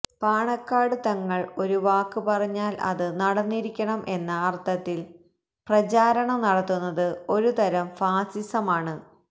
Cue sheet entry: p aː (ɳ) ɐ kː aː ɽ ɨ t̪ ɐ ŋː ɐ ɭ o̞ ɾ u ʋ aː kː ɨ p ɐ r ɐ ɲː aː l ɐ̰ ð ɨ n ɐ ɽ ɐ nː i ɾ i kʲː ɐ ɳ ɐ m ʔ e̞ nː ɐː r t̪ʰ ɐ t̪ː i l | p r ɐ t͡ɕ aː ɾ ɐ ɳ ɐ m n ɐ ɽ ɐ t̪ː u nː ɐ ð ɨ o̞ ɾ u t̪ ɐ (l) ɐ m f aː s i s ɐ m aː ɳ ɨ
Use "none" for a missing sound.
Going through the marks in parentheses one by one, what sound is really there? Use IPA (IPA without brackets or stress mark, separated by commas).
ɳ, ɾ